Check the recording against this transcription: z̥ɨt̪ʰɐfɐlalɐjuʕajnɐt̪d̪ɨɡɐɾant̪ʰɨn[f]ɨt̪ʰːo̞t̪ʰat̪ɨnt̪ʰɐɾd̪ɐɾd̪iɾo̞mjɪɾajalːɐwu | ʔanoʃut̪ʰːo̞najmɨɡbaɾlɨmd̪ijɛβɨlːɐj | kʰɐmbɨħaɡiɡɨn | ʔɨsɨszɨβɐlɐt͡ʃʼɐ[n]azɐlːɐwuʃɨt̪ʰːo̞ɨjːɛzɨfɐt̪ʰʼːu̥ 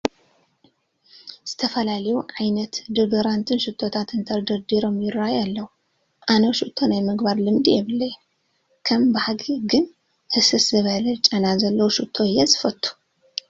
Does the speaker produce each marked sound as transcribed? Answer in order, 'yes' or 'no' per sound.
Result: no, yes

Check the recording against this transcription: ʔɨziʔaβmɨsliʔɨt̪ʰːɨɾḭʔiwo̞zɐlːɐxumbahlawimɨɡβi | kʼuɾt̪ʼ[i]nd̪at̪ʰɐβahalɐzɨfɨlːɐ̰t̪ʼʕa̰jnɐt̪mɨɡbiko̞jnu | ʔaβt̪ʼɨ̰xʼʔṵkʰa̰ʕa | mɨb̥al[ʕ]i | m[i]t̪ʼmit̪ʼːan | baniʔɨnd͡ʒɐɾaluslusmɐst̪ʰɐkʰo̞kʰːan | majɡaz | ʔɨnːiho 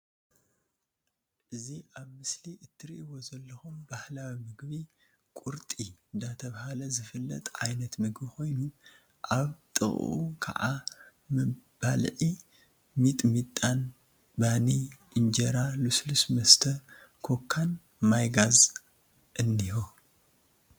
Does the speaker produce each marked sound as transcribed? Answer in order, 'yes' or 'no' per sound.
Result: yes, yes, yes

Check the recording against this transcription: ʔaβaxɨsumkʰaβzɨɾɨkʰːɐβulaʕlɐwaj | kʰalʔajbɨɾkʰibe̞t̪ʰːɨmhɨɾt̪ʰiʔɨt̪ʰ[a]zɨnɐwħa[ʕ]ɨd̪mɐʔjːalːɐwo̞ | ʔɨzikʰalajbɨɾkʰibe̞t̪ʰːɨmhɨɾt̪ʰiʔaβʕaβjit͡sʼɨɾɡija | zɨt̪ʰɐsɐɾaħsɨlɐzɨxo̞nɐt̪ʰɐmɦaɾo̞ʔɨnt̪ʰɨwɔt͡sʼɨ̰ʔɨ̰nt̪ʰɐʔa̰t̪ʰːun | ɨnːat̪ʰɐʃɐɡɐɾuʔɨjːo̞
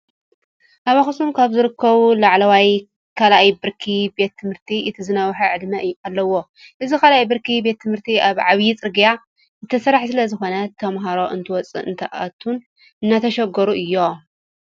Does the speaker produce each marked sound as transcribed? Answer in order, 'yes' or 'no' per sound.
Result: no, yes

